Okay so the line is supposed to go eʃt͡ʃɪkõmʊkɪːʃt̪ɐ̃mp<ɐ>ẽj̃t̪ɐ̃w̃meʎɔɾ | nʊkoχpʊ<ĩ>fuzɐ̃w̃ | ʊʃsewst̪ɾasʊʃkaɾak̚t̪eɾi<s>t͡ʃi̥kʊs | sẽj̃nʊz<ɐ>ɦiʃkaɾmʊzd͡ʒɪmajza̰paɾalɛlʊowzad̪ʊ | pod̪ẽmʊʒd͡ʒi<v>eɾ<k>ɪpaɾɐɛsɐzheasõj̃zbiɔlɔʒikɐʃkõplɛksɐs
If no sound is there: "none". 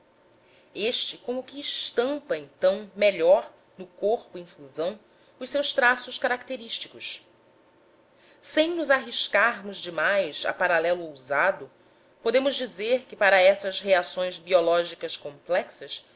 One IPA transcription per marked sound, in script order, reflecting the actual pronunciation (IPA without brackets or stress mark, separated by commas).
ɐ, ĩ, ʃ, a, z, k